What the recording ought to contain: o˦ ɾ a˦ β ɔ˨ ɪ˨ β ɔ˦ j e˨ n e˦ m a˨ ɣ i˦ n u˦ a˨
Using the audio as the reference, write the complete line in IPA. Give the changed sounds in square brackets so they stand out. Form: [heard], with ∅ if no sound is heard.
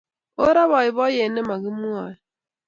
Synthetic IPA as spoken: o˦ ɾ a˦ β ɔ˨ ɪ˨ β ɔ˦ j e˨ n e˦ m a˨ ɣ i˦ [m] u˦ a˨